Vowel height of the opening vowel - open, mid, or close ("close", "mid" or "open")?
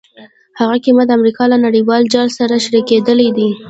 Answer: open